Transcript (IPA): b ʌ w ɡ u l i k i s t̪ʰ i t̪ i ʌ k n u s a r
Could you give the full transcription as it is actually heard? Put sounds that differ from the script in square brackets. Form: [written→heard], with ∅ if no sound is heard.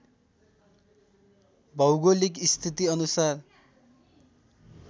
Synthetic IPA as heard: b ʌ w ɡ [u→o] l i k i s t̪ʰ i t̪ i ʌ [k→∅] n u s a r